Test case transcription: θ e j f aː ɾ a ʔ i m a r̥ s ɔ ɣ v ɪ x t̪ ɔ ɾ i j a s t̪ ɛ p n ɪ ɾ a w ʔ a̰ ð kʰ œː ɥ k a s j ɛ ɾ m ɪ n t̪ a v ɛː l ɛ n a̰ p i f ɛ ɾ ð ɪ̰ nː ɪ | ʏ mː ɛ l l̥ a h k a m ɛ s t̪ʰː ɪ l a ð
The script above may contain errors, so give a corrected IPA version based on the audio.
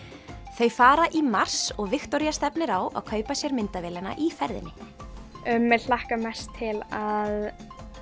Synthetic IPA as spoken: θ e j f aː ɾ a ʔ i m a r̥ s ɔ ɣ v ɪ x t̪ ɔ ɾ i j a s t̪ ɛ p n ɪ ɾ a w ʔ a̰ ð kʰ œː ɥ p a s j ɛ ɾ m ɪ n t̪ a v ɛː l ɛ n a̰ ʔ i f ɛ ɾ ð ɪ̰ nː ɪ | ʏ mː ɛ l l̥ a h k a m ɛ s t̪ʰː ɪ l a ð